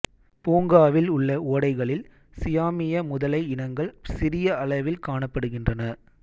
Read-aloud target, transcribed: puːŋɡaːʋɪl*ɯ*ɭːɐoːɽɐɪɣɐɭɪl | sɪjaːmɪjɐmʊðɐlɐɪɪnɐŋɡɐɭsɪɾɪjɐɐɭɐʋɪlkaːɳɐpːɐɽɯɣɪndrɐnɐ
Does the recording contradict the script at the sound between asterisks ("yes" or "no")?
yes